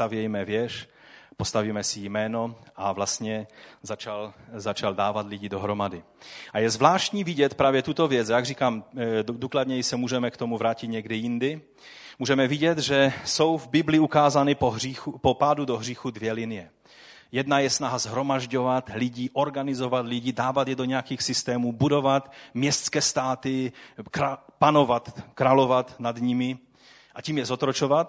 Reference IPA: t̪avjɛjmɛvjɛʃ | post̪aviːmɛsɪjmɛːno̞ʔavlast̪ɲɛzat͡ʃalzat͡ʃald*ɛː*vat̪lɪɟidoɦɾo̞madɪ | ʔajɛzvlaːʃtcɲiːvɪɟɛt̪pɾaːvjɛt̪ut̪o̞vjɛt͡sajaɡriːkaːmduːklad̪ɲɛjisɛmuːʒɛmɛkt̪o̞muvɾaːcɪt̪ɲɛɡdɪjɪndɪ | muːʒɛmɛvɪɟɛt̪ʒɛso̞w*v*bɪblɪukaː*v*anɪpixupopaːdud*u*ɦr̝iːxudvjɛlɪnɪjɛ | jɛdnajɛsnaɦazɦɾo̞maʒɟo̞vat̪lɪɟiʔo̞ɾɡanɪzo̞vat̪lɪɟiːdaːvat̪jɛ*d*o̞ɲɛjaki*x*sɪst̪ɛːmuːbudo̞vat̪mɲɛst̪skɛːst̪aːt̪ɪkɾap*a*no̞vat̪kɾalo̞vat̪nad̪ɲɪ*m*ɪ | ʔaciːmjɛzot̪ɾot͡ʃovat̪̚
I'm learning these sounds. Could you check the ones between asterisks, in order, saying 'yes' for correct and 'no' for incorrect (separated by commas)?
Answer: no, yes, no, no, yes, yes, yes, yes